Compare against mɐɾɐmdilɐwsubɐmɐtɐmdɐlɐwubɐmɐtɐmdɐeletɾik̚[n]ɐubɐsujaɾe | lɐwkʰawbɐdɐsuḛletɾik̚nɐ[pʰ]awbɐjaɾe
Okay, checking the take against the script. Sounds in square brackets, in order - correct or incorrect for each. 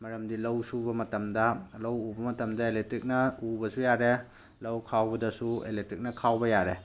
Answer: correct, incorrect: kʰ

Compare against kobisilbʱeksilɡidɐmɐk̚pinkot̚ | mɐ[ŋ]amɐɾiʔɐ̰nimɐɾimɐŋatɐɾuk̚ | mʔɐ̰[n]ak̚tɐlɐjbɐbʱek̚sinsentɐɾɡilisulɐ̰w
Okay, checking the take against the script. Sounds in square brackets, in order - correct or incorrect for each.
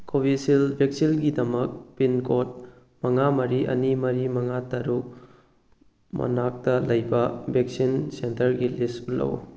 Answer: correct, correct

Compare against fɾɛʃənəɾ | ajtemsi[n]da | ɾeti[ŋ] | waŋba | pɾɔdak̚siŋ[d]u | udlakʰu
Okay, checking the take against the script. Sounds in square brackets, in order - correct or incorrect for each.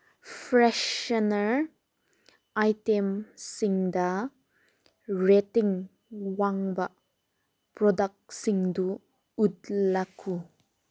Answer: incorrect: ŋ, correct, correct

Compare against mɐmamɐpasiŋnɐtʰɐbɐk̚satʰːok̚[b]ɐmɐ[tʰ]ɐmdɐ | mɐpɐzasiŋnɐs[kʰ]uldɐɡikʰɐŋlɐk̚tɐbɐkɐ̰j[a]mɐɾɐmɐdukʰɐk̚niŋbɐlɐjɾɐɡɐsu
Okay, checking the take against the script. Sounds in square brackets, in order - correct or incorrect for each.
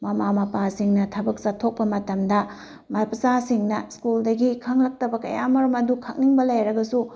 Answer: incorrect: p, incorrect: t, incorrect: k, correct

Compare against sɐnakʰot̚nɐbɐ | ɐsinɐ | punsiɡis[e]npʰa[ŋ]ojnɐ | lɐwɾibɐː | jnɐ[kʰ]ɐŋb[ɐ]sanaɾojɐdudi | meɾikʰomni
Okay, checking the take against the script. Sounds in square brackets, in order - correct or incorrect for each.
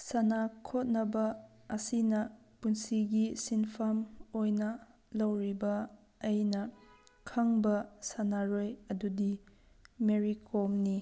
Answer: incorrect: i, incorrect: m, correct, correct

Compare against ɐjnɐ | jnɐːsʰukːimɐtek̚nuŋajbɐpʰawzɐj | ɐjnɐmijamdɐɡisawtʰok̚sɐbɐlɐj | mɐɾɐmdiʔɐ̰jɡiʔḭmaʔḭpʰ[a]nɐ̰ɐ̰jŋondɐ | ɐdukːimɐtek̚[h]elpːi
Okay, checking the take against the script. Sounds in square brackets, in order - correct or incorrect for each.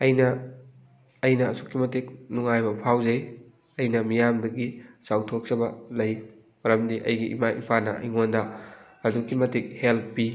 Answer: correct, correct

